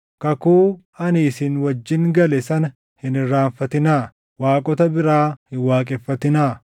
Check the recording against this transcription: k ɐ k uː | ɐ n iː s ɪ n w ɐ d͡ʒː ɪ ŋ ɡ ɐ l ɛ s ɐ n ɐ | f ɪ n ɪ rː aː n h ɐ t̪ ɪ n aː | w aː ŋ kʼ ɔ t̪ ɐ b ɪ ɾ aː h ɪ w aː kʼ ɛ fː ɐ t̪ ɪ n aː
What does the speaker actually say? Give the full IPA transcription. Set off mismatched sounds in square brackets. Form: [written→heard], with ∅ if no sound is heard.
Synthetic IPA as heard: k ɐ k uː | ɐ n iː s ɪ n w ɐ d͡ʒː ɪ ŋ ɡ ɐ l ɛ s ɐ n ɐ | [f→h] ɪ n ɪ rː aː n [h→f] ɐ t̪ ɪ n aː | w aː [ŋ→∅] kʼ ɔ t̪ ɐ b ɪ ɾ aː h ɪ w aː kʼ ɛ fː ɐ t̪ ɪ n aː